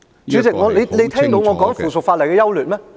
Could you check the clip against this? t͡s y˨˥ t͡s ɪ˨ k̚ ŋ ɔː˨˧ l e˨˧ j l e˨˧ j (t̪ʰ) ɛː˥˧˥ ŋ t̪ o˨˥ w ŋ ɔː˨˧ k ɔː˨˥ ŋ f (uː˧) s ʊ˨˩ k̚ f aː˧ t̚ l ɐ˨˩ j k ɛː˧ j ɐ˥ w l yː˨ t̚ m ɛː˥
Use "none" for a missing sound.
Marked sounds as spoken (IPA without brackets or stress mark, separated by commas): t̪ʰ, uː˨˩